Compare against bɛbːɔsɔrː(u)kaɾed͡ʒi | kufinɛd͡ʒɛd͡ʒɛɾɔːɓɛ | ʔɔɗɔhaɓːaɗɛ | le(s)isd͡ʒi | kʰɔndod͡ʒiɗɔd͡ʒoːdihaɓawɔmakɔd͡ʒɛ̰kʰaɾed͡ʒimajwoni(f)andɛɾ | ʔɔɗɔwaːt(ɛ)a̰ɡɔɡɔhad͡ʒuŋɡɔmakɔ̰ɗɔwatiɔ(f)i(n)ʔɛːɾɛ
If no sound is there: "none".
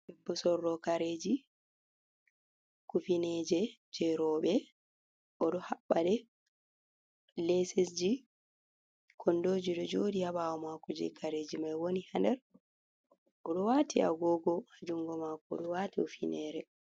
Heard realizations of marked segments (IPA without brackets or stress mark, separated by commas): ɔ, s, h, i, f, n